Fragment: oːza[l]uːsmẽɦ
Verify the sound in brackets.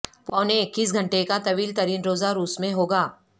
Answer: incorrect: ɾ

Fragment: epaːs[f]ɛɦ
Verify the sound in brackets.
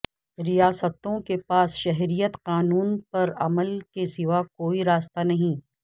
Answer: incorrect: ʃ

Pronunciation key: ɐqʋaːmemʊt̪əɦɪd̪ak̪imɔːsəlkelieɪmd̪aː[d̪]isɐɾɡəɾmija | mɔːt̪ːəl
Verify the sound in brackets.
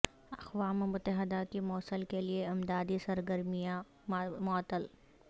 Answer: correct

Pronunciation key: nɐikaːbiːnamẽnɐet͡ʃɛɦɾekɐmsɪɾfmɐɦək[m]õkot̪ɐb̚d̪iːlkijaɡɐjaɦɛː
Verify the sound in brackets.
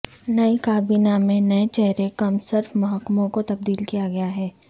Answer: correct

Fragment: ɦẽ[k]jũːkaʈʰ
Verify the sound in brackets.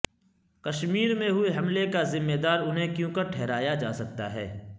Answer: correct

